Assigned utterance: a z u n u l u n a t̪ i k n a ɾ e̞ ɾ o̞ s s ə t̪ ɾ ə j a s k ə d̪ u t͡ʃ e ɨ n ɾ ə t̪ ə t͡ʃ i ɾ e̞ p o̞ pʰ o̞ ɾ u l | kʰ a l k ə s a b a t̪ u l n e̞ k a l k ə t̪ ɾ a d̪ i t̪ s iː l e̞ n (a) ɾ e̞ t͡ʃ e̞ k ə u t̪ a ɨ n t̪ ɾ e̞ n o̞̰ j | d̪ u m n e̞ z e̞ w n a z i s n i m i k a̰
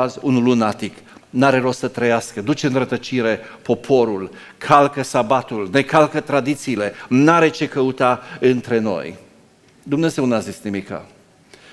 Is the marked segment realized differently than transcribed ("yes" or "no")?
no